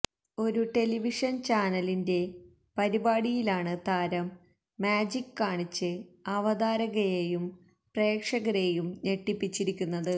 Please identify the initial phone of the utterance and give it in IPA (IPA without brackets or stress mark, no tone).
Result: o̞